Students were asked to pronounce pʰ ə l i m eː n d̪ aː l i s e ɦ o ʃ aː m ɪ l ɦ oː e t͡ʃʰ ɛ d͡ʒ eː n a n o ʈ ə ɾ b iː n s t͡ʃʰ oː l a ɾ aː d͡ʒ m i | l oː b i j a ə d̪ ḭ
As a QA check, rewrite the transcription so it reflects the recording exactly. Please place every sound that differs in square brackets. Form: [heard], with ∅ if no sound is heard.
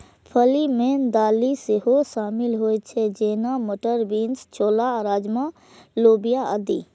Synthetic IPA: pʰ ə l i m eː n d̪ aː l i s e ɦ o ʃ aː m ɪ l ɦ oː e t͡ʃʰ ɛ d͡ʒ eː n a [m] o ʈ ə ɾ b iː n s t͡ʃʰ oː l a ɾ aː d͡ʒ m [a] | l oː b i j a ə d̪ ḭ